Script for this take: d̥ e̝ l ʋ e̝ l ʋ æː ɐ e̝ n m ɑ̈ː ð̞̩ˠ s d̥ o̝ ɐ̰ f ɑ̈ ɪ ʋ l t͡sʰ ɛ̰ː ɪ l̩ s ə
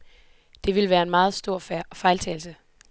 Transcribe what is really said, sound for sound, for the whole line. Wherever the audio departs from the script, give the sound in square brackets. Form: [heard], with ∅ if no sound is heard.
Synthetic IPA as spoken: d̥ e̝ [∅] ʋ e̝ l ʋ æː ɐ e̝ n m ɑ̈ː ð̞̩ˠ s d̥ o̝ ɐ̰ f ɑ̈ ɪ [∅] l t͡sʰ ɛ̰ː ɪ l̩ s ə